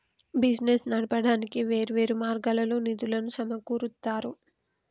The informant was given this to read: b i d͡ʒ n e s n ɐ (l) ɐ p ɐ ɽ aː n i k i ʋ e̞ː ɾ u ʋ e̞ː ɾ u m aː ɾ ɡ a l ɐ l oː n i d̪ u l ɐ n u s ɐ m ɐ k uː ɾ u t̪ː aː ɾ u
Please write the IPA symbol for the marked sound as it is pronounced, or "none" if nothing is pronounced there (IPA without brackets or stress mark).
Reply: ɽ